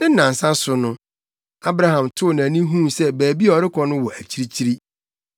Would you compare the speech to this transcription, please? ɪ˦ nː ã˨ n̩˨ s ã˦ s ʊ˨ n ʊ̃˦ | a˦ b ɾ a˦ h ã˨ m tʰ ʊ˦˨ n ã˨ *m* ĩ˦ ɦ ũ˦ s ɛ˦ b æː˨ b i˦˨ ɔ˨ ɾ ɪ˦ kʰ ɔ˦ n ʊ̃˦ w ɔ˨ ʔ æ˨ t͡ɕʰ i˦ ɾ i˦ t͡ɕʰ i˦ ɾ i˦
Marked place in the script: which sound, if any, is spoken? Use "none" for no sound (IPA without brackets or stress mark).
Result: n